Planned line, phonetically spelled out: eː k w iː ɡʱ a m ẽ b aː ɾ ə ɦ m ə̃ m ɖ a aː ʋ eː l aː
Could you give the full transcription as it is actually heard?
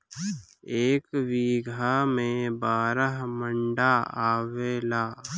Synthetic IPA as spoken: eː k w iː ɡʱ a m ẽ b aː ɾ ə ɦ m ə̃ ɳ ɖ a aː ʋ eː l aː